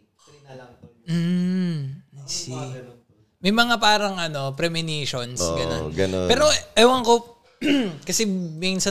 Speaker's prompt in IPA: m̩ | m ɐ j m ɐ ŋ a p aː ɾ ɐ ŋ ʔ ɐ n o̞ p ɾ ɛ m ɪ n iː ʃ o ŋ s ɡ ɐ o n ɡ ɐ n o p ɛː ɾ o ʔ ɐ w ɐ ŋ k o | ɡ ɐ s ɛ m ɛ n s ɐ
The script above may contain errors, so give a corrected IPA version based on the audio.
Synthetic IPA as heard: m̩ | m ɐ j m ɐ ŋ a p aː ɾ ɐ ŋ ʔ ɐ n o̞ p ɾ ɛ m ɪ n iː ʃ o n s ɡ ɐ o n ɡ ɐ n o p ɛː ɾ o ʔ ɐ w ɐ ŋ k o | k ɐ s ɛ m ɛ n s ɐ